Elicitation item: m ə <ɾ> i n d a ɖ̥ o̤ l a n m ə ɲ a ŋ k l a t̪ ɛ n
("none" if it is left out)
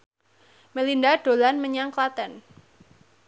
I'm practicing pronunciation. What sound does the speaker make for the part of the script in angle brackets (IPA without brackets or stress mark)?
l